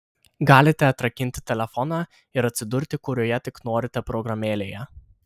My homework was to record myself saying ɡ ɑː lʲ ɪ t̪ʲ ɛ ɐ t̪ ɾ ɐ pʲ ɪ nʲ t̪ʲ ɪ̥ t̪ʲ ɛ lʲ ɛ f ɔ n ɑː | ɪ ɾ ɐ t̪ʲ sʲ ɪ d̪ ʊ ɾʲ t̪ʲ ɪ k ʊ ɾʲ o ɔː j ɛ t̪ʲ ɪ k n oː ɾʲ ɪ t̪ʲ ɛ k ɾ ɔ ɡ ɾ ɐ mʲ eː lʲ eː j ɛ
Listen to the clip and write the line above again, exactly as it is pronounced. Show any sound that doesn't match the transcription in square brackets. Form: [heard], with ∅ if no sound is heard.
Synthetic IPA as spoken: ɡ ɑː lʲ ɪ t̪ʲ ɛ ɐ t̪ ɾ ɐ [kʲ] ɪ nʲ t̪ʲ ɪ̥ t̪ʲ ɛ lʲ ɛ f ɔ n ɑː | ɪ ɾ ɐ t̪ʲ sʲ ɪ d̪ ʊ ɾʲ t̪ʲ ɪ k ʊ ɾʲ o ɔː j ɛ t̪ʲ ɪ k n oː ɾʲ ɪ t̪ʲ ɛ [p] ɾ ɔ ɡ ɾ ɐ mʲ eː lʲ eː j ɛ